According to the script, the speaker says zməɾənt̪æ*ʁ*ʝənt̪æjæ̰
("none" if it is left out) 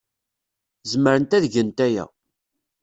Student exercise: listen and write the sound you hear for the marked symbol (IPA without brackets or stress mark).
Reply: ð